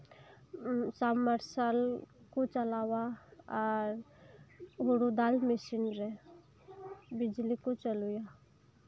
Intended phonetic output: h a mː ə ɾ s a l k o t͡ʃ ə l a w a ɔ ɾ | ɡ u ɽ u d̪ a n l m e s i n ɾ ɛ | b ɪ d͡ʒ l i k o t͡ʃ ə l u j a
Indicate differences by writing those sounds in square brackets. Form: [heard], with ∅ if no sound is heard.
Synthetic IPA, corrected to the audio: [s] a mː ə ɾ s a l k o t͡ʃ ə l a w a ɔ ɾ | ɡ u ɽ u d̪ a [∅] l m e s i n ɾ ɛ | b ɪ d͡ʒ l i k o t͡ʃ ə l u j a